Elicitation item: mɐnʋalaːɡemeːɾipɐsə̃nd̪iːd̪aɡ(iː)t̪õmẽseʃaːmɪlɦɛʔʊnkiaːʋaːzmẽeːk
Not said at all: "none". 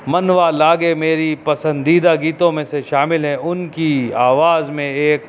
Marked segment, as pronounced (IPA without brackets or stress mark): iː